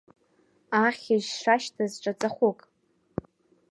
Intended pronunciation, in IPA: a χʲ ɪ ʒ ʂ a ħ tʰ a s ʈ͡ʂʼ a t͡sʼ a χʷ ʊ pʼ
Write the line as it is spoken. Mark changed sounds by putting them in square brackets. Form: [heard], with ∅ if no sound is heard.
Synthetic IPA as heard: a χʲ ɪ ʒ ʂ a [ʃ] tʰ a [z] ʈ͡ʂʼ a t͡sʼ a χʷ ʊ [kʼ]